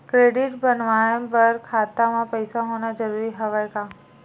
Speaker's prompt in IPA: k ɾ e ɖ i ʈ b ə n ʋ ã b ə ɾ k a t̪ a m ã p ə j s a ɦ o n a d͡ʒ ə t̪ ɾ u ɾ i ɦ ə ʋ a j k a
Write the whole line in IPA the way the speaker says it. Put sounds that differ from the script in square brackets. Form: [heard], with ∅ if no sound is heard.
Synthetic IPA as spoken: k ɾ e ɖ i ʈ b ə n ʋ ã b ə ɾ [kʰ] a t̪ a m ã p ə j s a ɦ o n a d͡ʒ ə [∅] ɾ u ɾ i ɦ ə ʋ a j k a